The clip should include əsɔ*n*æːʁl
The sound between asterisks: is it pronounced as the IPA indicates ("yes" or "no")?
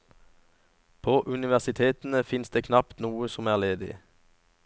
no